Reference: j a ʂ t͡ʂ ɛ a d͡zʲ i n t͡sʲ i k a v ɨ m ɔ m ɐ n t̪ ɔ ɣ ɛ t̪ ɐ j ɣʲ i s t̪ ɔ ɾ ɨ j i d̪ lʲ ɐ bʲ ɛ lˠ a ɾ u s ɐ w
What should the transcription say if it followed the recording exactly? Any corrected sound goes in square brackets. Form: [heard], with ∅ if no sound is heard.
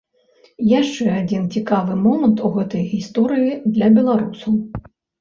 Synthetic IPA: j a ʂ t͡ʂ ɛ a d͡zʲ i n t͡sʲ i k a v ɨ m ɔ m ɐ n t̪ [u] ɣ ɛ t̪ ɐ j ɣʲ i s t̪ ɔ ɾ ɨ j i d̪ lʲ ɐ bʲ ɛ lˠ a ɾ u s ɐ w

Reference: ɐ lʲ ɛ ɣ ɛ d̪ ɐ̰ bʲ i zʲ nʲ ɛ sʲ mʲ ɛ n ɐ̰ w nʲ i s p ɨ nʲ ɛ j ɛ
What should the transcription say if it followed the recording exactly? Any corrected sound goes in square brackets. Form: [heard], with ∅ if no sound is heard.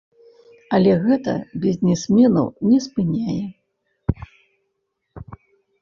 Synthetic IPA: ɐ lʲ ɛ ɣ ɛ [t̪] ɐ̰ bʲ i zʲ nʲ ɛ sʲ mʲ ɛ n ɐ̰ w nʲ [ɛ] s p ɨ nʲ [a] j ɛ

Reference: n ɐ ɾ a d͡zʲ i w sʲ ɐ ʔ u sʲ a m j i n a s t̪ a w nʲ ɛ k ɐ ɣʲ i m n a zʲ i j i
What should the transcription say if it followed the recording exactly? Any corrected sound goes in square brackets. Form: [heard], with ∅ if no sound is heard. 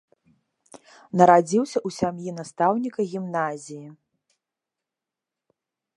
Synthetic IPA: n ɐ ɾ a d͡zʲ i w sʲ ɐ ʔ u sʲ a m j i n a s t̪ a w nʲ [i] k ɐ ɣʲ i m n a zʲ i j i

